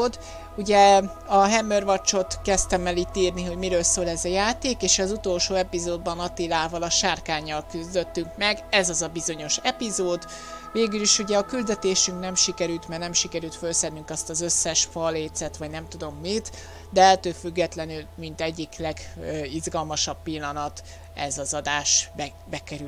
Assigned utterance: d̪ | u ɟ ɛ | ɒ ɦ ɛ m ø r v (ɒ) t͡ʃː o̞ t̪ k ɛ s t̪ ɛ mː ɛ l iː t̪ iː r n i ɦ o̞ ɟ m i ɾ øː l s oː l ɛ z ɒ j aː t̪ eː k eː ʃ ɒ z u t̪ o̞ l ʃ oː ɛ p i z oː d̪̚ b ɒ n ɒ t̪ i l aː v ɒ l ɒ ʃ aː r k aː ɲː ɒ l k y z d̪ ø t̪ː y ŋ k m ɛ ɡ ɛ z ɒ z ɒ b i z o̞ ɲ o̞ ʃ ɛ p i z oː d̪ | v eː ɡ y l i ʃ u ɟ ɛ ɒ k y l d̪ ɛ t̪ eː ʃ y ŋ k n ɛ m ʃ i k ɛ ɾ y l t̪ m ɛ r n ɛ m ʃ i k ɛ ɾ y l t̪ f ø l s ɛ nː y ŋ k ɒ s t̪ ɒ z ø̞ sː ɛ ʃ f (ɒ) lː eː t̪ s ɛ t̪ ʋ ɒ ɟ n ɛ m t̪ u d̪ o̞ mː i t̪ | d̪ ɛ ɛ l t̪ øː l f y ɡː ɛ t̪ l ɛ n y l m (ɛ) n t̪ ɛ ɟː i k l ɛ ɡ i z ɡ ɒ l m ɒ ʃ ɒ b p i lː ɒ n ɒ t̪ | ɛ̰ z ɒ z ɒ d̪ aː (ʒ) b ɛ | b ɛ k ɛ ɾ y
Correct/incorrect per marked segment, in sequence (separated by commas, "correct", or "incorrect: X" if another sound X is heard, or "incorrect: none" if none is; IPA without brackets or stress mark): correct, correct, incorrect: i, incorrect: ʃ